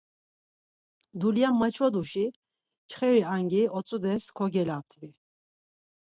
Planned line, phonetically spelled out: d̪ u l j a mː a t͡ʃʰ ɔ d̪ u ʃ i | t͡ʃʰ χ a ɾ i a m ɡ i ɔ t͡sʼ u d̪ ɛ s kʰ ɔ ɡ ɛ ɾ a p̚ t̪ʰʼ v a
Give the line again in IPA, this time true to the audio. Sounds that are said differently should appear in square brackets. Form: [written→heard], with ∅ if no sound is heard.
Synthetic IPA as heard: d̪ u l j a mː a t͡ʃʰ ɔ d̪ u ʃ i | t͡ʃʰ χ [a→ɛ] ɾ i a [m→ŋ] ɡ i ɔ t͡sʼ u d̪ ɛ s kʰ ɔ ɡ ɛ [ɾ→l] a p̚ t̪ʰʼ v [a→i]